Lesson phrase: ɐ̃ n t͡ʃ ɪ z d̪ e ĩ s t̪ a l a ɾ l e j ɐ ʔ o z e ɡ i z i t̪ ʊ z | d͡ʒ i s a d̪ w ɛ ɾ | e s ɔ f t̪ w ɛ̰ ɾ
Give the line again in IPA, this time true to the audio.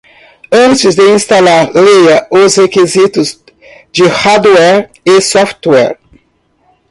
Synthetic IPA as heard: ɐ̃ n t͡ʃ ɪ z d̪ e ĩ s t̪ a l a ɾ l e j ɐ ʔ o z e k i z i t̪ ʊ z | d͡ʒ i h a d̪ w ɛ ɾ | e s ɔ f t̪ w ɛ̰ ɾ